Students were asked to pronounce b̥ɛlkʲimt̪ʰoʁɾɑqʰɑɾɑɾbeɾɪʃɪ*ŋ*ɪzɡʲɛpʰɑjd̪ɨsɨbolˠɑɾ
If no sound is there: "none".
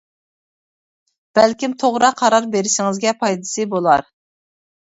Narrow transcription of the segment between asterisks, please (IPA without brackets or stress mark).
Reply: ŋ